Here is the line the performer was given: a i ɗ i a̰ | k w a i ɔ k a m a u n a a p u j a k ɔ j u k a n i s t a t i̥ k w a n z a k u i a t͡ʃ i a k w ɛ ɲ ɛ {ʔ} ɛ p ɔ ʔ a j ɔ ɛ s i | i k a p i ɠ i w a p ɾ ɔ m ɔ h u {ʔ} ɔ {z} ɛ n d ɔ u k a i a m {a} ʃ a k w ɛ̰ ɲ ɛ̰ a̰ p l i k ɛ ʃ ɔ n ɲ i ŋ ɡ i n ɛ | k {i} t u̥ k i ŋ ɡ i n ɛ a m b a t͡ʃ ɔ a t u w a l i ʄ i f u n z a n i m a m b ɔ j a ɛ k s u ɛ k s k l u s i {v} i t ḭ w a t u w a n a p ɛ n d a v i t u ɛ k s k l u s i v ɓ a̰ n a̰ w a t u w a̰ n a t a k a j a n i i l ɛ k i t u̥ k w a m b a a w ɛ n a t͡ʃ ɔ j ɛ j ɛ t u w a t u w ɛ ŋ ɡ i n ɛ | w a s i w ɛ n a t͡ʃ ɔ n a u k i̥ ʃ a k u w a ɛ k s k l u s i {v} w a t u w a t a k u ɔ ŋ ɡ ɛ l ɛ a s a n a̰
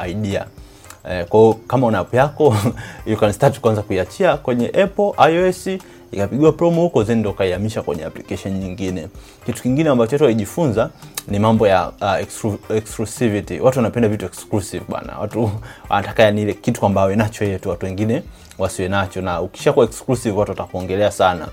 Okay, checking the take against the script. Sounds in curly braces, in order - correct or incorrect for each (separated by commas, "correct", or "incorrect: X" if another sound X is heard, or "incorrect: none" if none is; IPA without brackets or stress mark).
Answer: correct, incorrect: k, correct, incorrect: i, correct, correct, correct